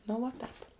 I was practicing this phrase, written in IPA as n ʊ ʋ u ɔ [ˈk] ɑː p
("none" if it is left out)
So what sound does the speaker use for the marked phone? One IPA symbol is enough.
t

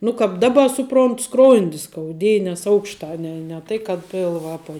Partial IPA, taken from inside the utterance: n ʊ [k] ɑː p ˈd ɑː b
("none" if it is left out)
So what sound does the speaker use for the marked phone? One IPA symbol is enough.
k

